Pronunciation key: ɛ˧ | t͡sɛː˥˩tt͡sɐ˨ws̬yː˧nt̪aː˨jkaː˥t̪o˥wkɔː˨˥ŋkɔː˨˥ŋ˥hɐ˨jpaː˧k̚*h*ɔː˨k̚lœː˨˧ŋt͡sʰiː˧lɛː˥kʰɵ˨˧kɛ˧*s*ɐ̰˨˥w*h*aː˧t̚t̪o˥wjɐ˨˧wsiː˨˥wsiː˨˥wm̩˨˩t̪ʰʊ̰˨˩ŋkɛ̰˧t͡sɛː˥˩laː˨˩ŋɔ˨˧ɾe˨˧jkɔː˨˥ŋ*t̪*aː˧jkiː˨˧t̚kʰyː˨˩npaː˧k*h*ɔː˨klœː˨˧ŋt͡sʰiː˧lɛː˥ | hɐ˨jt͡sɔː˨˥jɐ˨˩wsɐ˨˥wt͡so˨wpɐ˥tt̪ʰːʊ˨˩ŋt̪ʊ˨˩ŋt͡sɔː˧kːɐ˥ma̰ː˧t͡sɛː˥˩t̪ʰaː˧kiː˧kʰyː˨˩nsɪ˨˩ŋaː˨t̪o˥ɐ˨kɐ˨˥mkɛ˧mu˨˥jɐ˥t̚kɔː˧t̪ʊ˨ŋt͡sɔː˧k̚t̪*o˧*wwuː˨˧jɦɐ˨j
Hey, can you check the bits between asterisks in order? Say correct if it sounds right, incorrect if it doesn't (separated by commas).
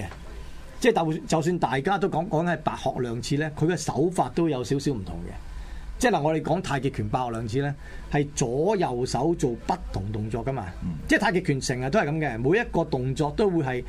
correct, correct, incorrect, incorrect, correct, incorrect